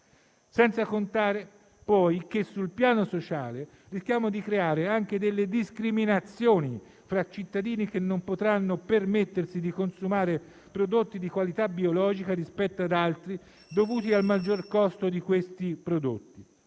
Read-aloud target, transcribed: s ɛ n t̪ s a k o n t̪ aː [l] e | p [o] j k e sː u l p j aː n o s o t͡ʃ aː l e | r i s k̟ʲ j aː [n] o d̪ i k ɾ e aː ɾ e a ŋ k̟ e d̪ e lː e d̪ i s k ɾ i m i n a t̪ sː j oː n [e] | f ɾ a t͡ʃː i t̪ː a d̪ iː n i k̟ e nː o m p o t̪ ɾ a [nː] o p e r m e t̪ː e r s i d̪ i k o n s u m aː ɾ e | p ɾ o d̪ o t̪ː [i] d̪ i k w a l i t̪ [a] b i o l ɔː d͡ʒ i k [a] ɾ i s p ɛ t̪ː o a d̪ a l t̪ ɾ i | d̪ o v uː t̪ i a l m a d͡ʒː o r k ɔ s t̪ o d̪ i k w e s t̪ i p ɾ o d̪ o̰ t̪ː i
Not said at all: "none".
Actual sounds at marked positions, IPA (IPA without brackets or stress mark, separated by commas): ɾ, ɔ, m, i, nː, i, a, a